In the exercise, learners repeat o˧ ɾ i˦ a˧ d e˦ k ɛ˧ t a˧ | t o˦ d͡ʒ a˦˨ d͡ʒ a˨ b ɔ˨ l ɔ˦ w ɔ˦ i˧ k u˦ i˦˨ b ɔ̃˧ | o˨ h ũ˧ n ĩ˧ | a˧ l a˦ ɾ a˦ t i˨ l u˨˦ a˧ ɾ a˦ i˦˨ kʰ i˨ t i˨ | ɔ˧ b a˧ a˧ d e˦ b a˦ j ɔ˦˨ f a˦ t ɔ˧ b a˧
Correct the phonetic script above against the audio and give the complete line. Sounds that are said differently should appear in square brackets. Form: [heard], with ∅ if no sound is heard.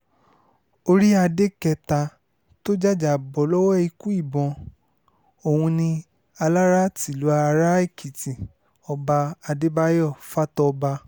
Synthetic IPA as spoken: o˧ ɾ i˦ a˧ d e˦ k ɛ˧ t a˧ | t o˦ d͡ʒ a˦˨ d͡ʒ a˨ b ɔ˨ l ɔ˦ w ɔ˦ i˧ k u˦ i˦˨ b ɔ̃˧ | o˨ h ũ˧ n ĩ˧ | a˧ l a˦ ɾ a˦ t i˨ l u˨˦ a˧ ɾ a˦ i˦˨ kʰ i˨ t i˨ | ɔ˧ b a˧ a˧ d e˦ b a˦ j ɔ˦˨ f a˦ t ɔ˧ b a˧